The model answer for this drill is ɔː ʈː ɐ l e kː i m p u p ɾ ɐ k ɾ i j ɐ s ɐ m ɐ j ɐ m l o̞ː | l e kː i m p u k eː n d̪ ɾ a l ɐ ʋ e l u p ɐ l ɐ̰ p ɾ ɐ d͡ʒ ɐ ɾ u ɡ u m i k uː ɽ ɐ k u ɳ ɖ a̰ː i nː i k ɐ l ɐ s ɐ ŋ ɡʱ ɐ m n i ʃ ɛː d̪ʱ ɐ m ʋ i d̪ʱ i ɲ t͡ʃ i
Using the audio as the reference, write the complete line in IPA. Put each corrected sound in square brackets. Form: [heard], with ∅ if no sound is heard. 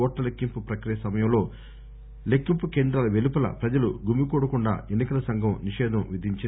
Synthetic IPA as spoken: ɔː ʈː ɐ l e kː i m p u p ɾ ɐ k ɾ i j ɐ s ɐ m ɐ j ɐ m l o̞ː | l e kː i m p u k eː n d̪ ɾ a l ɐ ʋ e l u p ɐ l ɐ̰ p ɾ ɐ d͡ʒ ɐ [l] u ɡ u m i k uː ɽ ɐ k u ɳ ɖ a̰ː [e] nː i k ɐ l ɐ s ɐ ŋ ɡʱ ɐ m n i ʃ ɛː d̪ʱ ɐ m ʋ i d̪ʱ i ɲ t͡ʃ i